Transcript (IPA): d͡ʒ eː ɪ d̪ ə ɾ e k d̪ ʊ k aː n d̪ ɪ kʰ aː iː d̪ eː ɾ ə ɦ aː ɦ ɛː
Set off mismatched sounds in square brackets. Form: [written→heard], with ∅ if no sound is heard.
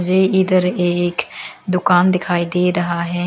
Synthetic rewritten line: d͡ʒ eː ɪ d̪ ə ɾ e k d̪ ʊ k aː n d̪ ɪ kʰ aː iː d̪ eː ɾ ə ɦ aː ɦ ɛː